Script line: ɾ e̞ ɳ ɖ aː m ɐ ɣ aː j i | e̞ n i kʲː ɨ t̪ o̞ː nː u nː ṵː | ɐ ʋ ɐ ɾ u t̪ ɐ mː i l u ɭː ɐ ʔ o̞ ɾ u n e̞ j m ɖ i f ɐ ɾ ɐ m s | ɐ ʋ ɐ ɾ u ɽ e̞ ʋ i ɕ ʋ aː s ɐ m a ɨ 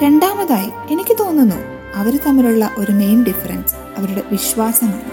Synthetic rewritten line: ɾ e̞ ɳ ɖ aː m ɐ ð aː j i | e̞ n i kʲː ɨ t̪ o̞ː nː u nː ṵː | ɐ ʋ ɐ ɾ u t̪ ɐ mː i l u ɭː ɐ ʔ o̞ ɾ u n e̞ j m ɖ i f ɐ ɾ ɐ n s | ɐ ʋ ɐ ɾ u ɽ e̞ ʋ i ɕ ʋ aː s ɐ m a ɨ